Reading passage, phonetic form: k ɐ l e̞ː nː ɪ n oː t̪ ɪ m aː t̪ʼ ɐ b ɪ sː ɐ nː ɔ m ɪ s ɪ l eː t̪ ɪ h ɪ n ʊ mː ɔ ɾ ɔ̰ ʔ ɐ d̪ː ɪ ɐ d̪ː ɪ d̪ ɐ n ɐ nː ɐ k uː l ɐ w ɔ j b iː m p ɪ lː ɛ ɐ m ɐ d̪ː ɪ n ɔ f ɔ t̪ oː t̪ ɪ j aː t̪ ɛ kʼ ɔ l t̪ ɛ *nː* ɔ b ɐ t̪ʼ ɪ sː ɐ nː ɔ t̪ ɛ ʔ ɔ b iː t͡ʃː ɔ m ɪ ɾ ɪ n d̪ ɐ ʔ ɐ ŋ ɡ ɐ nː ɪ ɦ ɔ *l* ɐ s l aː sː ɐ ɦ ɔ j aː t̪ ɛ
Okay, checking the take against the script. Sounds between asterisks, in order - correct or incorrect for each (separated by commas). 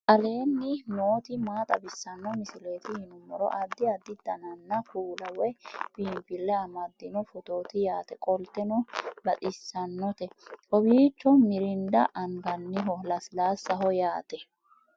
incorrect, correct